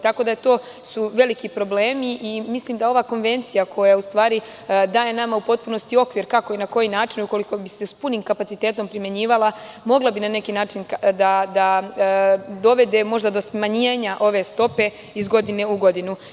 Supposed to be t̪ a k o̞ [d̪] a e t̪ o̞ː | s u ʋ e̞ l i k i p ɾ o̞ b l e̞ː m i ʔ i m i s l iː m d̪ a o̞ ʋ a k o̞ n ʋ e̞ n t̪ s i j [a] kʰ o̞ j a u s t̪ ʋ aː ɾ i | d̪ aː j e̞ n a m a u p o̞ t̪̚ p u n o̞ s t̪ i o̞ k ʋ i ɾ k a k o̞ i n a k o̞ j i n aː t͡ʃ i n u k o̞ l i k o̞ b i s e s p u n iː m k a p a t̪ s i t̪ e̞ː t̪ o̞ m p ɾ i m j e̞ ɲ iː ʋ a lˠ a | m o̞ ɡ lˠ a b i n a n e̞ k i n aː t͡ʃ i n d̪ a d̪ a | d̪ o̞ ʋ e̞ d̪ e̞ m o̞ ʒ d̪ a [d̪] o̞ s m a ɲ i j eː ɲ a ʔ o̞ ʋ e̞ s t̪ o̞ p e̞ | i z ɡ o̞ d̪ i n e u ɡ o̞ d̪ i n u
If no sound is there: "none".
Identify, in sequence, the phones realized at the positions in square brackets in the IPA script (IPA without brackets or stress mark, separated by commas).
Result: d̪, a, d̪